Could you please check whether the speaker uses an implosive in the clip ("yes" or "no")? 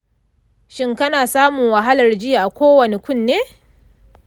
no